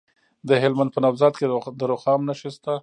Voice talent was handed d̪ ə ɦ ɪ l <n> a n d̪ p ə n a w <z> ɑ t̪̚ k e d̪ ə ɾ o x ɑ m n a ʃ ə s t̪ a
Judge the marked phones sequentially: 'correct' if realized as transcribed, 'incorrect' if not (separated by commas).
incorrect, correct